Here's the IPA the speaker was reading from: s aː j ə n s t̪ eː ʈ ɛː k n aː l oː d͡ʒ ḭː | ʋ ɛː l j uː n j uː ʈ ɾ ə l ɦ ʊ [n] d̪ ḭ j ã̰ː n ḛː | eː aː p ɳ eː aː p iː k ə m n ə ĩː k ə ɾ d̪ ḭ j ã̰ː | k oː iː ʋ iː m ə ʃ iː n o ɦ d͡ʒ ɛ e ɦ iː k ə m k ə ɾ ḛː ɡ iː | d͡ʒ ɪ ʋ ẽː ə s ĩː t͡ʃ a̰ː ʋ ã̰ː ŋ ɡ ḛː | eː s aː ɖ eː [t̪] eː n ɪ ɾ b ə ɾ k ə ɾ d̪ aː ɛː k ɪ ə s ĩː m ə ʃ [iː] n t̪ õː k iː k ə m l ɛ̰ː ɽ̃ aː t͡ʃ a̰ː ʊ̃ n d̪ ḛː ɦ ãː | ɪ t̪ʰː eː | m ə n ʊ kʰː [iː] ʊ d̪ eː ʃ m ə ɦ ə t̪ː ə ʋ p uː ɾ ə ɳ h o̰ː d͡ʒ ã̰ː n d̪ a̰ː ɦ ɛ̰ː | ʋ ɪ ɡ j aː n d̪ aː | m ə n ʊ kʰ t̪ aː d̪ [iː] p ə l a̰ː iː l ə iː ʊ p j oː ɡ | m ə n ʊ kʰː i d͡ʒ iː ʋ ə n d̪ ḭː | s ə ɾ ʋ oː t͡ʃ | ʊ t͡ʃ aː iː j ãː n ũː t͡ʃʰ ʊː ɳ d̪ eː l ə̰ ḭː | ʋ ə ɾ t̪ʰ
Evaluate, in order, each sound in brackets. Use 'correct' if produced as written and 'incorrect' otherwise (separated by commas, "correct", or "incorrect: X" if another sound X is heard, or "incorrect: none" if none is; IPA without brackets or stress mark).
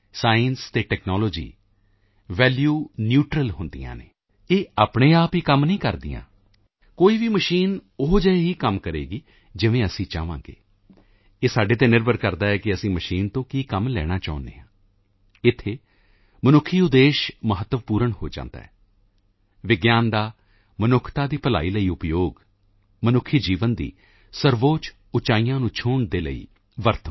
correct, correct, correct, correct, correct